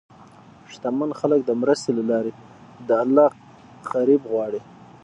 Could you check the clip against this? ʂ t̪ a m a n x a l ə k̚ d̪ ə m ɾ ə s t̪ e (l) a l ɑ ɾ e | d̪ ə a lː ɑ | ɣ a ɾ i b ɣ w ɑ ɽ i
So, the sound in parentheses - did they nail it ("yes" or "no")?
yes